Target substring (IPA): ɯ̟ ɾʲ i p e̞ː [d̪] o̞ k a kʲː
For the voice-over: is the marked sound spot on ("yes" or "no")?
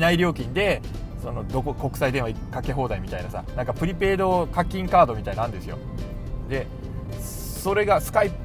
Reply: yes